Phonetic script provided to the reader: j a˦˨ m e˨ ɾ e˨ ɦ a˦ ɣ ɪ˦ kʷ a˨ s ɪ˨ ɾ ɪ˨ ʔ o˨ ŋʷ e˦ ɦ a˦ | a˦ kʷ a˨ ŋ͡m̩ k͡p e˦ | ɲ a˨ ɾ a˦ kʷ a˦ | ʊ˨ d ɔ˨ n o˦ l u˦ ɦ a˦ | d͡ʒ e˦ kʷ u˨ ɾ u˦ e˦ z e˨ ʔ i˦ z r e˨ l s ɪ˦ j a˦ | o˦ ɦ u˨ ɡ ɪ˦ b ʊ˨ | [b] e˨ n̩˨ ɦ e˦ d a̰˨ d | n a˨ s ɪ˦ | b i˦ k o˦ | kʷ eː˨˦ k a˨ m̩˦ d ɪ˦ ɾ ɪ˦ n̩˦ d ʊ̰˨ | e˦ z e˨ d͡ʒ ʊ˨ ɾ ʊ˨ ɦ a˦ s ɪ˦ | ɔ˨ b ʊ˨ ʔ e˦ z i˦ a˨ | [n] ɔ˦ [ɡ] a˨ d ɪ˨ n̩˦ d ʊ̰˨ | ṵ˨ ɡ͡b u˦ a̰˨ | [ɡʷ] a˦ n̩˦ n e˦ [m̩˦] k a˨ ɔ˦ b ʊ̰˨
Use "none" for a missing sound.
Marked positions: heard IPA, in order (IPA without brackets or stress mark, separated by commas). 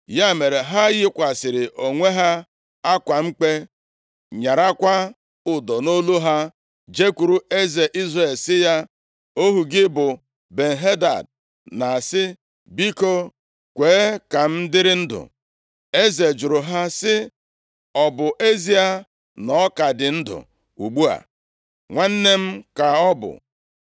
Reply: b, n, k, ŋʷ, m̩˦